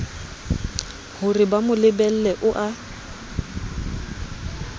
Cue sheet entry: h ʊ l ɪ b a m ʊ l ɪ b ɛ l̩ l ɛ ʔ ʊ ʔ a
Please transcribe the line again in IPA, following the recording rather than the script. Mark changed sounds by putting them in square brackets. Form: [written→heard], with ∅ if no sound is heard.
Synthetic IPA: h ʊ [l→r] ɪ b a m ʊ l ɪ b ɛ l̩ l ɛ ʔ ʊ ʔ a